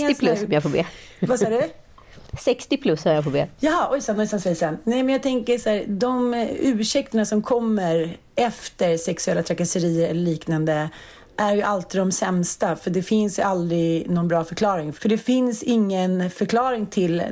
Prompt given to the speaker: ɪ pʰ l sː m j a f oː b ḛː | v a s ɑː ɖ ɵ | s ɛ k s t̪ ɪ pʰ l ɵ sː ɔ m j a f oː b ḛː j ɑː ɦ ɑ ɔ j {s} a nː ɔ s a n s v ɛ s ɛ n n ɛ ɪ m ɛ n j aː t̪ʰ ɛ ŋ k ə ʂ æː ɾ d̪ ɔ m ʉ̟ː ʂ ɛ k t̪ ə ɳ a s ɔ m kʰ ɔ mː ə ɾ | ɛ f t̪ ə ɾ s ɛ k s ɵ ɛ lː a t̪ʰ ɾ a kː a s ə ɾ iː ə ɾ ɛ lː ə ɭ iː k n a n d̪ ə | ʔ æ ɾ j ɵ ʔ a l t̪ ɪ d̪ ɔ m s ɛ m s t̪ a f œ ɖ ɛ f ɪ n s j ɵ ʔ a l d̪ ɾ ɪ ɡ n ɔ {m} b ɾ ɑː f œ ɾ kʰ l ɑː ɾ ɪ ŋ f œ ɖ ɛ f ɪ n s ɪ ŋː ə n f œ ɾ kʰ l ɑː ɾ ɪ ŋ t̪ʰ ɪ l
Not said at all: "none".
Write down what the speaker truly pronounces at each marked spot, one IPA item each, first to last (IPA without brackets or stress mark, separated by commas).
s, n